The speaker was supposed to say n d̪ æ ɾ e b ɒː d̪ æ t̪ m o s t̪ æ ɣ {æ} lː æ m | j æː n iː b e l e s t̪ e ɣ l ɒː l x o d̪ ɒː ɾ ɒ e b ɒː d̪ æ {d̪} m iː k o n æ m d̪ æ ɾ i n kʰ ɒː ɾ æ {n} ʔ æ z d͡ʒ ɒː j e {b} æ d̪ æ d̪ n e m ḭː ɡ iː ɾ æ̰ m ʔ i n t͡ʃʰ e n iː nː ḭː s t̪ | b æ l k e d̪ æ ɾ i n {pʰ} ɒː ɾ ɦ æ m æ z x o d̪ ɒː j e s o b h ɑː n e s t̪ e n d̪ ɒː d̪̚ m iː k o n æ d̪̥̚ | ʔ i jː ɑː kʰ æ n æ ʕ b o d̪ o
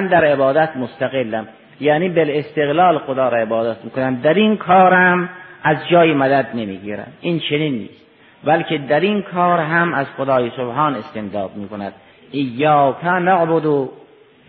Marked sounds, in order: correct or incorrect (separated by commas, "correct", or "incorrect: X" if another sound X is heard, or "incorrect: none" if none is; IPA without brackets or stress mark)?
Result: incorrect: e, incorrect: t̪, incorrect: m, incorrect: m, incorrect: kʰ